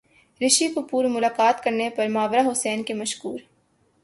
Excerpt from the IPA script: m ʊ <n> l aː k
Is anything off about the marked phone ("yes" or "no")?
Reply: yes